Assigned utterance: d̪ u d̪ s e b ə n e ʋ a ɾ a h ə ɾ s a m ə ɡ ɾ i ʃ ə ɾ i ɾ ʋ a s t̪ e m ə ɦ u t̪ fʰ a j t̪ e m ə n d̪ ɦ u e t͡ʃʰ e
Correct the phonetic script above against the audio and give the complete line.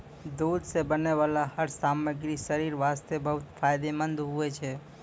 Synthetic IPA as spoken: d̪ u d̪ s e b ə n e ʋ a l a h ə ɾ s a m ə ɡ ɾ i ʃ ə ɾ i ɾ ʋ a s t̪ e b ə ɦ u t̪ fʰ a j d̪ e m ə n d̪ ɦ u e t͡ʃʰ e